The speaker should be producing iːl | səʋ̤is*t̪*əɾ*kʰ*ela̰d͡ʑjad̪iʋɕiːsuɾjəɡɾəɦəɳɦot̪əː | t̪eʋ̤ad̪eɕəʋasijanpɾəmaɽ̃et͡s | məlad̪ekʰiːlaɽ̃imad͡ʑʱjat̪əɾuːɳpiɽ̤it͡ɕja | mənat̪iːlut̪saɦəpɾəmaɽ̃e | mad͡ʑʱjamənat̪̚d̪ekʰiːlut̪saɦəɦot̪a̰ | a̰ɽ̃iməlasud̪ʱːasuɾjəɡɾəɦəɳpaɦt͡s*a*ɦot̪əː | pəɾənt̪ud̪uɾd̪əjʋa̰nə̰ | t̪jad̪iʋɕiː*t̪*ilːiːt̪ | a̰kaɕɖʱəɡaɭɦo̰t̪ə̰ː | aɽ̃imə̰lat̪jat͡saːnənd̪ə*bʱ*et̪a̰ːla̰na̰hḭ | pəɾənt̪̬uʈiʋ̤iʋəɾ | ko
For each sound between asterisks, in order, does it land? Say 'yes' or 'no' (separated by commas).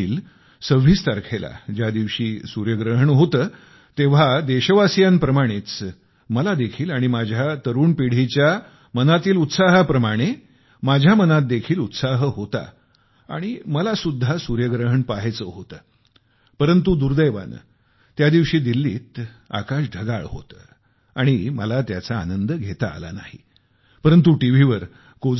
yes, yes, no, no, no